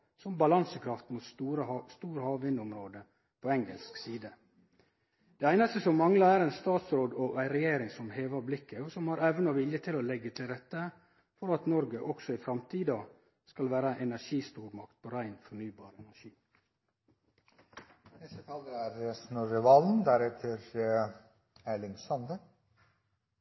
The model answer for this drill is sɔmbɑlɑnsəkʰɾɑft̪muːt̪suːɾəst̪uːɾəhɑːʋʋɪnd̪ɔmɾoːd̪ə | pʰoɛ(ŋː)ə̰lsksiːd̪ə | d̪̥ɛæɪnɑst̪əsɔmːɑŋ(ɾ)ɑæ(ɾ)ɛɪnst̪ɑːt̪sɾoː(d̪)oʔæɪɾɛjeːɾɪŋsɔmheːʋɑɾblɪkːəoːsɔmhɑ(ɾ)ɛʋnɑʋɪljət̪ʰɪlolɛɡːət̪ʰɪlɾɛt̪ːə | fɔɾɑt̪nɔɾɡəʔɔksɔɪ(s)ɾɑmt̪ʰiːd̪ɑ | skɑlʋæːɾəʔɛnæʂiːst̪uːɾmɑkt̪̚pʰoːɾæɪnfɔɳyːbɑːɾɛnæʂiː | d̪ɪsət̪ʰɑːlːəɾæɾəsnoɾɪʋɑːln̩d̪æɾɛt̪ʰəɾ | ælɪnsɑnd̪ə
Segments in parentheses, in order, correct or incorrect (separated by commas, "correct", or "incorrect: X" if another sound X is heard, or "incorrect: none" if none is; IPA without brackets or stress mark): incorrect: ŋ, incorrect: l, correct, correct, correct, incorrect: f